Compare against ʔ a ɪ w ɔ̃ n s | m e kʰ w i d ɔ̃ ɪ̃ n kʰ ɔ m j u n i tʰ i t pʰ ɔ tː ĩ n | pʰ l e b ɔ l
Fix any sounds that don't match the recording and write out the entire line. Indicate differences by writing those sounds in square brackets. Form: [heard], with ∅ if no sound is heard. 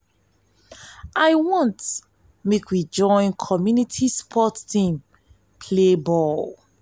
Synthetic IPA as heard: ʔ a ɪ w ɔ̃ n [t] | m e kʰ w i [d͡ʒ] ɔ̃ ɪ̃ n kʰ ɔ m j u n i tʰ i [s] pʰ ɔ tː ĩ [m] | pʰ l e b ɔ l